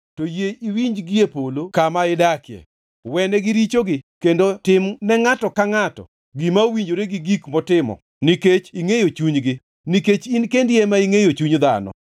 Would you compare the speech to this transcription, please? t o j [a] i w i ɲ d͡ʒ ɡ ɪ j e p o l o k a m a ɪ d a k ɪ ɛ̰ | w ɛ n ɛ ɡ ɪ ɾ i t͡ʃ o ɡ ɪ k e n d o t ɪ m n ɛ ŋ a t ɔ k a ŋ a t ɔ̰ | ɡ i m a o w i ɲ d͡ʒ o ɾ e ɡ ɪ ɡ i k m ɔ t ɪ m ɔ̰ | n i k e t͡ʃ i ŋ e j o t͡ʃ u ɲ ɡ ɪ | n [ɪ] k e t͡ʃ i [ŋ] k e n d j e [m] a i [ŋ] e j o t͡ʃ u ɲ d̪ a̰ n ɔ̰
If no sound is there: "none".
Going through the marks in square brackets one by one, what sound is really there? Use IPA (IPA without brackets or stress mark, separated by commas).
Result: e, i, n, m, ŋ